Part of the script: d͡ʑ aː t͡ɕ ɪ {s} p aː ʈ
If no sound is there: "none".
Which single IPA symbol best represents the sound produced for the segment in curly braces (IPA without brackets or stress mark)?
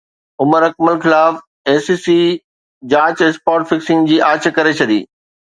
s